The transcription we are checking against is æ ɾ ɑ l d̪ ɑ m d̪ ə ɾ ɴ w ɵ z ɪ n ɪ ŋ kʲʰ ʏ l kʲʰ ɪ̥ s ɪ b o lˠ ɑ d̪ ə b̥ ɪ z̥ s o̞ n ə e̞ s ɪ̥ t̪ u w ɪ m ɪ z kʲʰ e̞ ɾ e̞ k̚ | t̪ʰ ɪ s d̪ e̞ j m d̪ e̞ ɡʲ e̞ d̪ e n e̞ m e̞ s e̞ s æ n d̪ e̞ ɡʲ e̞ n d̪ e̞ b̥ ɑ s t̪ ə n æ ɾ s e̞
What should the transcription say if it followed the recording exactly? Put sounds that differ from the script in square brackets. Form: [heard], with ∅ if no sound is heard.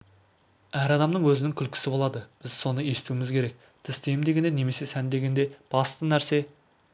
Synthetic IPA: æ ɾ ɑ [∅] d̪ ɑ m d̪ ə [∅] ɴ w ɵ z ɪ n ɪ ŋ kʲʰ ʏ l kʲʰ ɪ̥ s ɪ b o lˠ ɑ d̪ ə b̥ ɪ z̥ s o̞ n ə e̞ s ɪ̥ t̪ u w ɪ m ɪ z kʲʰ e̞ ɾ e̞ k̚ | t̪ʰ ɪ s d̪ e̞ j m d̪ e̞ ɡʲ e̞ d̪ e n e̞ m e̞ s e̞ s æ n d̪ e̞ ɡʲ e̞ n d̪ e̞ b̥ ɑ s t̪ ə n æ ɾ s e̞